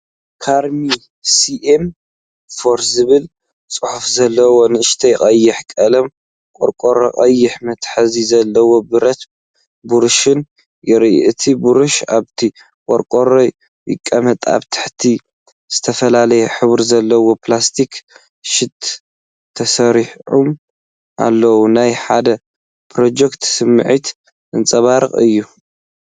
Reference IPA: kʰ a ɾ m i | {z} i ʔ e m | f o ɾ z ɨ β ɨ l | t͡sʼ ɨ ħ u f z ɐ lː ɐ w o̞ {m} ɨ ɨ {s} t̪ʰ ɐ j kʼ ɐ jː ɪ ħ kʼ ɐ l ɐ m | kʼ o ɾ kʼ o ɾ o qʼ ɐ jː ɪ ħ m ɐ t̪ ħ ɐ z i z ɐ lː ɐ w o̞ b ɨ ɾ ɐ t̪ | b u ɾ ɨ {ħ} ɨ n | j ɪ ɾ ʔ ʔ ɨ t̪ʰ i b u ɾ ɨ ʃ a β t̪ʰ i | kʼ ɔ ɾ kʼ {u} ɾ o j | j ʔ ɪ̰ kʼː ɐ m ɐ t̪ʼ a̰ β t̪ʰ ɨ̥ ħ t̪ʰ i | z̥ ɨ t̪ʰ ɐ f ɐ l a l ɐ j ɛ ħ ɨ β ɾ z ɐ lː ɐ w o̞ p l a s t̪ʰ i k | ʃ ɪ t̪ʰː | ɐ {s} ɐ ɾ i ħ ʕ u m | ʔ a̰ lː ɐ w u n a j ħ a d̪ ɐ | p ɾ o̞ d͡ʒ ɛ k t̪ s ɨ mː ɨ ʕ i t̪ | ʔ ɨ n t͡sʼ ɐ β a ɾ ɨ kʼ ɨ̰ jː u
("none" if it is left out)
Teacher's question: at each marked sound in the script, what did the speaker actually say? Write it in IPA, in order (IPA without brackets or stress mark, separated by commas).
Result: s, n, ʃ, ʃ, o, s